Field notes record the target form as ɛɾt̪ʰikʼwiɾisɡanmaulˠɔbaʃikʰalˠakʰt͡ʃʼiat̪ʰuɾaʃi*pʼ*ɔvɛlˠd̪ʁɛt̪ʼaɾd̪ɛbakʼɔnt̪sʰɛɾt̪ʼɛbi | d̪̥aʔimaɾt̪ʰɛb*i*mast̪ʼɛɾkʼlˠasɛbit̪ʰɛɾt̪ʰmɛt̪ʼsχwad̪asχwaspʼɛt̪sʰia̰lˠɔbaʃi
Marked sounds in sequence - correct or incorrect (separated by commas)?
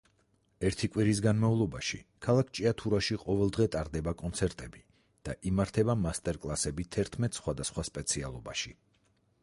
incorrect, incorrect